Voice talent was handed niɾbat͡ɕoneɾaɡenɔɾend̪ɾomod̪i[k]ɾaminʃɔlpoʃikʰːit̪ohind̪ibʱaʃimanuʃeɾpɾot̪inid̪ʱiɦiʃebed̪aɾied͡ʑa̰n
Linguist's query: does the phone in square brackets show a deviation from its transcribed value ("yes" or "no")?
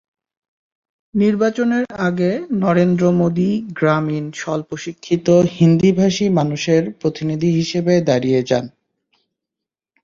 yes